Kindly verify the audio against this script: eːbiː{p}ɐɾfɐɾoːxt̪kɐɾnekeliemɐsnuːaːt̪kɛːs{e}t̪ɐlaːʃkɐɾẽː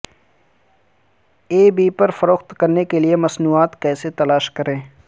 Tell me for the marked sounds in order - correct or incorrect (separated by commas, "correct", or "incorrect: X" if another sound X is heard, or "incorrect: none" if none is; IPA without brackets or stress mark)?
correct, correct